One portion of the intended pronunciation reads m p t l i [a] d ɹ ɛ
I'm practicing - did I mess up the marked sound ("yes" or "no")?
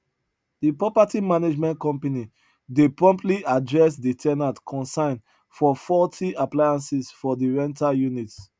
no